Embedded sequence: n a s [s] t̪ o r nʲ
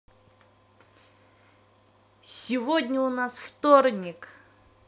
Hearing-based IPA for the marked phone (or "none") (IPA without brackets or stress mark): f